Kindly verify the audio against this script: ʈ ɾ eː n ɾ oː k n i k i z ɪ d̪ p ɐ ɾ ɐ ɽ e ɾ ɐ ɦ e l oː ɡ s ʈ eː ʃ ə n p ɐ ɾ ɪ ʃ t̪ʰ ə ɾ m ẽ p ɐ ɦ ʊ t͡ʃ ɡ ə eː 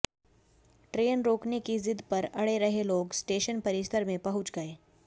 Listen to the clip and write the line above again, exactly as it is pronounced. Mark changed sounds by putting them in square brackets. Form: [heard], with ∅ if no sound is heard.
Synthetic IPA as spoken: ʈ ɾ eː n ɾ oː k n [e] k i z ɪ d̪ p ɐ ɾ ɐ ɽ e ɾ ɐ ɦ e l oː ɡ s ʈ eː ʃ ə n p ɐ ɾ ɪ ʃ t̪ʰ ə ɾ m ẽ p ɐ ɦ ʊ t͡ʃ ɡ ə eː